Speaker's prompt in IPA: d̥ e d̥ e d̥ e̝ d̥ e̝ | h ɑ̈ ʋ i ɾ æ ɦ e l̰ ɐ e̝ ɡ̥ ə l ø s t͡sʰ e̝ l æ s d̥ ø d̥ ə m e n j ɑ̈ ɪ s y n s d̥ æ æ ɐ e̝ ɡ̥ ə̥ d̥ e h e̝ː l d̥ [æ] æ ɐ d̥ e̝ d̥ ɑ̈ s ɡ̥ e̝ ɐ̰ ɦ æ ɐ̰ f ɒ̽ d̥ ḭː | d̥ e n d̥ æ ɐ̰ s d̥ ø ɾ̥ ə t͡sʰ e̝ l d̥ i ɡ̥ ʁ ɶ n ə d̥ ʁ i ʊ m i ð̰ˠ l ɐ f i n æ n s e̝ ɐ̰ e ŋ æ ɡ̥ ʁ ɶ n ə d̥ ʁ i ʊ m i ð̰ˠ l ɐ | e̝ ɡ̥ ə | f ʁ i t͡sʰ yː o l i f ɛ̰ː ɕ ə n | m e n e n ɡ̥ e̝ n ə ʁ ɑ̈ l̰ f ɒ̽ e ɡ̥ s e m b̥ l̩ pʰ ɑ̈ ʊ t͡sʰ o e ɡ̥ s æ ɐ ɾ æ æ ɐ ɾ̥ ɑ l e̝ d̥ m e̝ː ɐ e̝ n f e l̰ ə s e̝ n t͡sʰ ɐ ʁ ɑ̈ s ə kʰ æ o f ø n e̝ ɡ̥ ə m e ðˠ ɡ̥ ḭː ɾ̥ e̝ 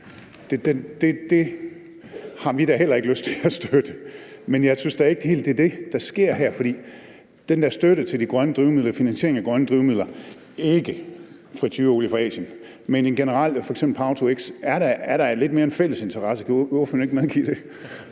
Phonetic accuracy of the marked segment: incorrect: e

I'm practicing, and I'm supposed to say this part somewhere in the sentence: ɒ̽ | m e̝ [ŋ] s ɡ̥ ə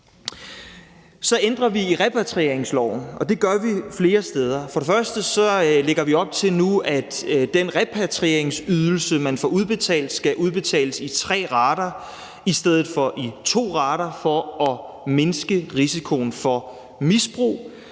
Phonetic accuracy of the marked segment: incorrect: n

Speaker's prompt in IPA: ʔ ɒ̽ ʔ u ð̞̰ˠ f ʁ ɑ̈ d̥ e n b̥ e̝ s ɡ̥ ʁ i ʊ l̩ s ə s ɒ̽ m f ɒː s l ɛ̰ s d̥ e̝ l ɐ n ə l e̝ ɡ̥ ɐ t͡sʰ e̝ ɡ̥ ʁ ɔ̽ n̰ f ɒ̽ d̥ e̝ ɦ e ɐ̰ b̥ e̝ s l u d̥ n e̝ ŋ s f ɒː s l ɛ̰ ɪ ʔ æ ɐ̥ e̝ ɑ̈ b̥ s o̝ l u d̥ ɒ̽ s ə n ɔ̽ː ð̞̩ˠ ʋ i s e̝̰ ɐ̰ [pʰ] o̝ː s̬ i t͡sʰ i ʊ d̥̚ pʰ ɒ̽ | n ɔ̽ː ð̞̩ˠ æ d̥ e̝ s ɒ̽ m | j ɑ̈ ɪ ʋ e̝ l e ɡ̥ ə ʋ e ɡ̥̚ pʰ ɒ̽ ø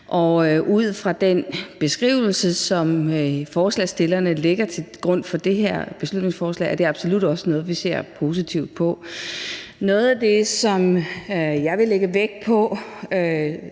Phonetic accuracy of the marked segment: correct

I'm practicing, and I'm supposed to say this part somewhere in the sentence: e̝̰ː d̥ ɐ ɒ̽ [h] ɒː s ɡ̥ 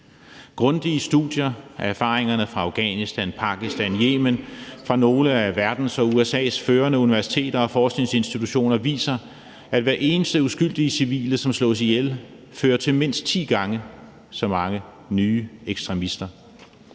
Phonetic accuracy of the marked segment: incorrect: f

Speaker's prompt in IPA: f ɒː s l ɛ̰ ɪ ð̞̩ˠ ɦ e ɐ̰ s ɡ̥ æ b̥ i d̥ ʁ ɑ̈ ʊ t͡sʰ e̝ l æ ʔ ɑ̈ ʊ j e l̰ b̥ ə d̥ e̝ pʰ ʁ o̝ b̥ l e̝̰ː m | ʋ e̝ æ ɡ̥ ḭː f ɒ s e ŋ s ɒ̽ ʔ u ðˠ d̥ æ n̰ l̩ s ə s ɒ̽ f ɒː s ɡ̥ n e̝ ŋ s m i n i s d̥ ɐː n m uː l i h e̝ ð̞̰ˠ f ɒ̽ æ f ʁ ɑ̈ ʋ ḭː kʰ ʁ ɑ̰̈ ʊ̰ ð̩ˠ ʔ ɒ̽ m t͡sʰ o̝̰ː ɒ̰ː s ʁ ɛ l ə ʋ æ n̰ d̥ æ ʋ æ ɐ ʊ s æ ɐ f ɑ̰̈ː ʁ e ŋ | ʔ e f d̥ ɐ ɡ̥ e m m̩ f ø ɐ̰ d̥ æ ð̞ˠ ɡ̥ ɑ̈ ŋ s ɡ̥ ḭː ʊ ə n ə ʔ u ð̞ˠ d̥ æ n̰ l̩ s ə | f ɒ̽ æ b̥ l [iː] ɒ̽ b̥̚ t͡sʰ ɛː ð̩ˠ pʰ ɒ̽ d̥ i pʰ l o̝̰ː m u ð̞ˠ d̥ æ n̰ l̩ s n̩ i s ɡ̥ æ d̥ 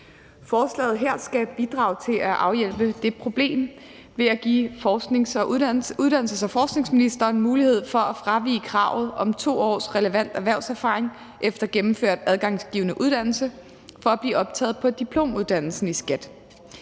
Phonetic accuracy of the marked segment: correct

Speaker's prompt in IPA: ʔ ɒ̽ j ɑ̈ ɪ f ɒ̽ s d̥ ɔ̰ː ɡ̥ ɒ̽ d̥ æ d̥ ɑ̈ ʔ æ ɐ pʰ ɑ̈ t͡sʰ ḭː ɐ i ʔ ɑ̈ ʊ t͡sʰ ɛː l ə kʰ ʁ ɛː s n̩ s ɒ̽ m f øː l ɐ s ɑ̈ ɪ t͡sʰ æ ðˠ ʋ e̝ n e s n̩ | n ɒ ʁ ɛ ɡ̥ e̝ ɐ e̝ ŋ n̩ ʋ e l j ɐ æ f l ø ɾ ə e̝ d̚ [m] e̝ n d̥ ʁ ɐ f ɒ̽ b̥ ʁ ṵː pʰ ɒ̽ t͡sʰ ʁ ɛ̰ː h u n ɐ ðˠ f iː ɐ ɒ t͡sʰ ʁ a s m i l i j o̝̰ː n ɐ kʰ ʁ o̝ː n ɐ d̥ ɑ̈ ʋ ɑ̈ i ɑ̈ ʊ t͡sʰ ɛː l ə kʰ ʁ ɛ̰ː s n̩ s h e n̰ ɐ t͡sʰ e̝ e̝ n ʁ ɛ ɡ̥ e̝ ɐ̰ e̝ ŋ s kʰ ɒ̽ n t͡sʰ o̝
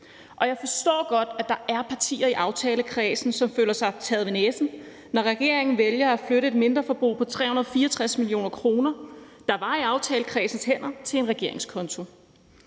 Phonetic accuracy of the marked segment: correct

